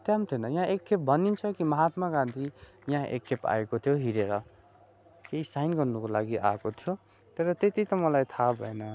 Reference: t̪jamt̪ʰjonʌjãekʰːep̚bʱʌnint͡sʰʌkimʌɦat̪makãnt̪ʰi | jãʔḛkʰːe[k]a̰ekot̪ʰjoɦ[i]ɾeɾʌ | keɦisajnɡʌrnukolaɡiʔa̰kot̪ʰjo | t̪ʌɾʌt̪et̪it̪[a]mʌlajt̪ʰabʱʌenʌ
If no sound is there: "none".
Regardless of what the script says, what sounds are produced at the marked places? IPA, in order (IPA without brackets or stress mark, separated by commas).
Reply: p, i, ʌ